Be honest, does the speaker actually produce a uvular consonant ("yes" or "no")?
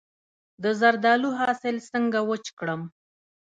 no